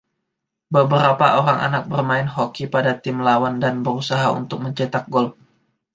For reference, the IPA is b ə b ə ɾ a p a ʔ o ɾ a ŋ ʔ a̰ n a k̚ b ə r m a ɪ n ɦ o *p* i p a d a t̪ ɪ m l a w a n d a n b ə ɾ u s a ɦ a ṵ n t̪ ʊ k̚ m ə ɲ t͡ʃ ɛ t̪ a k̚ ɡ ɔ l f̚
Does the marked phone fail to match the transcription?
yes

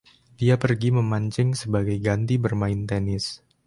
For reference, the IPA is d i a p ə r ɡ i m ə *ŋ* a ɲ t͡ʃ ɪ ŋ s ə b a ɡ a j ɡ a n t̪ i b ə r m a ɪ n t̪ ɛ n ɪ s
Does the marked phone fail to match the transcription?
yes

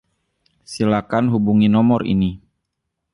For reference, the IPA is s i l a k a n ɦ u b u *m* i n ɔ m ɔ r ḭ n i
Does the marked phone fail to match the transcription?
yes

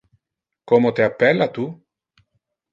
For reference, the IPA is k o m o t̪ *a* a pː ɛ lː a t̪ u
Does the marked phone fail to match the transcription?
yes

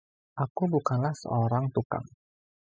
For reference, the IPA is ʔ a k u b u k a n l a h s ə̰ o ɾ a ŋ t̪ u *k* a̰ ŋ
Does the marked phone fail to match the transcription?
no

